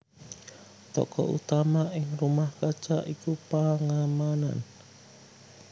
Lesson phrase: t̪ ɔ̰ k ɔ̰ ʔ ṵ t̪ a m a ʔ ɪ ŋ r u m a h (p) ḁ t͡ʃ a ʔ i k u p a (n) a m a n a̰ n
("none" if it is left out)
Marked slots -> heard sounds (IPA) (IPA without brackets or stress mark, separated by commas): k, ŋ